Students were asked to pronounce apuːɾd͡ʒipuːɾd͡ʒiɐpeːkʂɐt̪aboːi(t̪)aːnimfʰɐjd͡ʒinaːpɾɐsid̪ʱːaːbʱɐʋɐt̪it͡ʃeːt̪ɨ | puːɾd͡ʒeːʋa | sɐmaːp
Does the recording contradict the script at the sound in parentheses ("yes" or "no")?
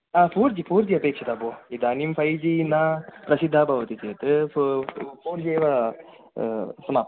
yes